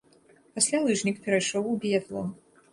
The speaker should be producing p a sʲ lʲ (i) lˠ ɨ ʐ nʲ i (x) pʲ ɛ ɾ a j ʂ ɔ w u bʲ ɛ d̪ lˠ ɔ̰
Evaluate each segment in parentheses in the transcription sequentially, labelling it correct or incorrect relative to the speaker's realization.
incorrect, incorrect

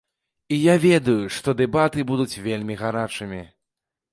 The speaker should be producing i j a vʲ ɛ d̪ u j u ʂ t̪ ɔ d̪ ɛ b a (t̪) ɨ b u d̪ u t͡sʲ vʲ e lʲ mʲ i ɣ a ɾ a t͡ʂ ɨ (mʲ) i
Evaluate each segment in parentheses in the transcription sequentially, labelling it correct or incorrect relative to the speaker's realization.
correct, correct

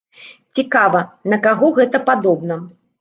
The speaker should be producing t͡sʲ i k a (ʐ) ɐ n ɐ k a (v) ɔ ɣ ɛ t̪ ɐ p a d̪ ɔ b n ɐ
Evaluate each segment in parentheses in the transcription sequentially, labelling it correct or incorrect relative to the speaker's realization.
incorrect, incorrect

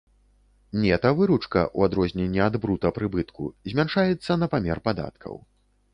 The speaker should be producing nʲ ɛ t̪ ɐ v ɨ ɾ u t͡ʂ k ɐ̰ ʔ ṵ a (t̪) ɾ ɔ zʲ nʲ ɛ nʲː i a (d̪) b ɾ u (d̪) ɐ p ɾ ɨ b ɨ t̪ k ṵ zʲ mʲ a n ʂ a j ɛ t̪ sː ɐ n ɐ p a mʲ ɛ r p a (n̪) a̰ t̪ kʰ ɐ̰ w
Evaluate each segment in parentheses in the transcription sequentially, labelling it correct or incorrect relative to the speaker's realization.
incorrect, correct, incorrect, incorrect

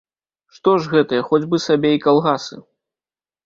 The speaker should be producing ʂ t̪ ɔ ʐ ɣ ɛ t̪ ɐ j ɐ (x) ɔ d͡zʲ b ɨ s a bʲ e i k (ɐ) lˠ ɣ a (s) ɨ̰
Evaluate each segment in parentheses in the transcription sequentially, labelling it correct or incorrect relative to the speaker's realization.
correct, incorrect, correct

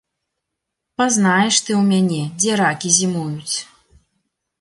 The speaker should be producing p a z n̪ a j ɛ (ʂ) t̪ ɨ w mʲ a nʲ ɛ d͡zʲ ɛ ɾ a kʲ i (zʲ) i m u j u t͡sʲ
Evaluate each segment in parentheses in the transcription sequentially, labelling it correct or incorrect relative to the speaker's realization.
correct, correct

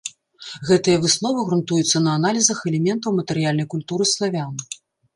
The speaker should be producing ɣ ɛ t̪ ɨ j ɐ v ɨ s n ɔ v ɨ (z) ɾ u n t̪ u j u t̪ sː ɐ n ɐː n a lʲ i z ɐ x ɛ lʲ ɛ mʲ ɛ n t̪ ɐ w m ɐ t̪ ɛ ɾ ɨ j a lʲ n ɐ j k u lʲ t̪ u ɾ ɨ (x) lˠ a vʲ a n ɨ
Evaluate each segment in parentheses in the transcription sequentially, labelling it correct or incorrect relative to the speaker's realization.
incorrect, incorrect

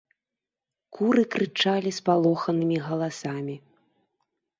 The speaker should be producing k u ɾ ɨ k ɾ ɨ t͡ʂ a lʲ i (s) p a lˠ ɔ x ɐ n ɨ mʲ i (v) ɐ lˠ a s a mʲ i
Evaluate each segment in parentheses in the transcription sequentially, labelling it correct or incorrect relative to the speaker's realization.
correct, incorrect

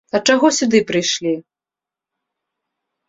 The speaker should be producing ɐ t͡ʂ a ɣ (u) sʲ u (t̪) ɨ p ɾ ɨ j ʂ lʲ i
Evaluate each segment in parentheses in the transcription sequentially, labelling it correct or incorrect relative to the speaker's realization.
incorrect, incorrect

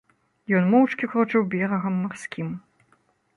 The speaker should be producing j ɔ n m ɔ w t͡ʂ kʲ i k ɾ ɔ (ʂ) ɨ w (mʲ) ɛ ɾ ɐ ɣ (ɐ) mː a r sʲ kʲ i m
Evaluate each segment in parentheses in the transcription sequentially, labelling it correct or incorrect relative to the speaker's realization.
incorrect, incorrect, correct

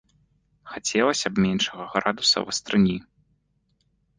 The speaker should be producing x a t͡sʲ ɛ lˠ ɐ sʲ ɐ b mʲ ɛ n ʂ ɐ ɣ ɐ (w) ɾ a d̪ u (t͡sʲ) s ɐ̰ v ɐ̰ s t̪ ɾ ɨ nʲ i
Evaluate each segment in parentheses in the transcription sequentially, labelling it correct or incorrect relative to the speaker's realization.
incorrect, incorrect

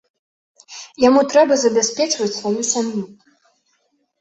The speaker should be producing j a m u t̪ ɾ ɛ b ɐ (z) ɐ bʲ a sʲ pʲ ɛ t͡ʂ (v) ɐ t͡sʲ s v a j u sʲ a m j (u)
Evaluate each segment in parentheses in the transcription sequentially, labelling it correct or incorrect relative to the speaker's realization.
correct, correct, correct

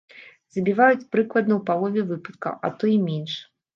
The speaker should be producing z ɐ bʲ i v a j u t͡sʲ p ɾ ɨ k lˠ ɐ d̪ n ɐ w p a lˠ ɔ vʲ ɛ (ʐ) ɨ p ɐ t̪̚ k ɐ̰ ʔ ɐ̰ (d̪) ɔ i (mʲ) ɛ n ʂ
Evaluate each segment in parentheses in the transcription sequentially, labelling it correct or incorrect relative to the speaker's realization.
incorrect, incorrect, correct

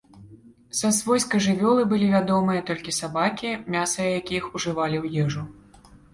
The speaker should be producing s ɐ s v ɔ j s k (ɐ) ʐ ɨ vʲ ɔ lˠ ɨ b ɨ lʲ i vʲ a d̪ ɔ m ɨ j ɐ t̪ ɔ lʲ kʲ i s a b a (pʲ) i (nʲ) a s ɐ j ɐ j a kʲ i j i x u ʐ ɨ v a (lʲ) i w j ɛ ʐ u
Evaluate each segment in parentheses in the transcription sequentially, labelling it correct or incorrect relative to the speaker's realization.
correct, incorrect, incorrect, correct

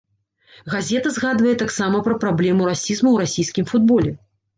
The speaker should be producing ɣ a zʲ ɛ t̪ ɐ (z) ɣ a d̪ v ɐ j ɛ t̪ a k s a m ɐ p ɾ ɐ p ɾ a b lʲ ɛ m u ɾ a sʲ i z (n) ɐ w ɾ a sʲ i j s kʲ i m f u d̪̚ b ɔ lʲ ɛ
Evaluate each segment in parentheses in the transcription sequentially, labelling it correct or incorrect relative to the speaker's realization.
correct, incorrect

